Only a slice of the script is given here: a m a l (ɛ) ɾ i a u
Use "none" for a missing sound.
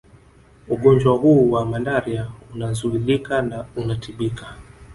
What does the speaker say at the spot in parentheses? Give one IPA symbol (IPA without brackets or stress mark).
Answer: a